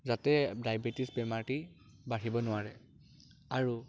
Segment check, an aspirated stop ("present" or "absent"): absent